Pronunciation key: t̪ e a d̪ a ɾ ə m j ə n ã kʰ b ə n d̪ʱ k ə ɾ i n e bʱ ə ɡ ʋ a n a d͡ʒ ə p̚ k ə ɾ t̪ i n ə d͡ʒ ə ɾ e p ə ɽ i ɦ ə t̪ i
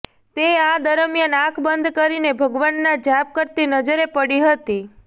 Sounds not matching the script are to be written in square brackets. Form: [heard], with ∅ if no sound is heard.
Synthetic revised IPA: t̪ e a d̪ [ə] ɾ ə m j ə n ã kʰ b ə n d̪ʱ k ə ɾ i n e bʱ ə ɡ ʋ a [nː] a d͡ʒ [a] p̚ k ə ɾ t̪ i n ə d͡ʒ ə ɾ e p ə ɽ i ɦ ə t̪ i